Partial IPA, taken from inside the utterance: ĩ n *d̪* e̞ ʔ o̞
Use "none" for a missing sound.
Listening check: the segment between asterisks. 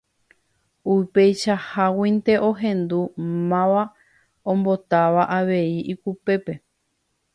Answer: t̪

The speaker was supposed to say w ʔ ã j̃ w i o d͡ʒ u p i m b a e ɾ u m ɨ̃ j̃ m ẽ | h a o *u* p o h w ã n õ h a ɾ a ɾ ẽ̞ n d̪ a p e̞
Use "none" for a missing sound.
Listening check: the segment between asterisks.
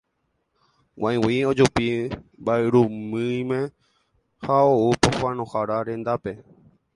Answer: u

